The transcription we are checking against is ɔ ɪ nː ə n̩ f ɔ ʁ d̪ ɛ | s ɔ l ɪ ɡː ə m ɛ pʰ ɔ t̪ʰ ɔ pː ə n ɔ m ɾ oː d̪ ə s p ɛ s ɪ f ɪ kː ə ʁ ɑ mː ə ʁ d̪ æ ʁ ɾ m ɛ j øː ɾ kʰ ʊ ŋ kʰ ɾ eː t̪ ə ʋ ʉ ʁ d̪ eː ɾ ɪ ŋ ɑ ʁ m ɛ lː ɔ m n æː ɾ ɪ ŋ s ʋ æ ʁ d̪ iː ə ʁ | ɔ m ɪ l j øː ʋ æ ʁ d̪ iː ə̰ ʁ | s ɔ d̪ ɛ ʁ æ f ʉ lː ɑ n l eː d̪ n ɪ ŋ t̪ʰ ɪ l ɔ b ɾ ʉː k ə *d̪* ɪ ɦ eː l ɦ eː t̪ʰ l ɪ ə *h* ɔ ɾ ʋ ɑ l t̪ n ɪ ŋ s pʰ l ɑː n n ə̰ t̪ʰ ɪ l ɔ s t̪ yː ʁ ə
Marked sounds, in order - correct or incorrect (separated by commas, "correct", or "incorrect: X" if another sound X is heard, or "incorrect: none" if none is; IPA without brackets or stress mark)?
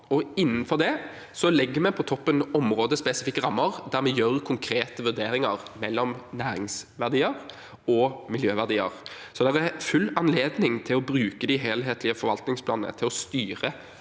correct, incorrect: f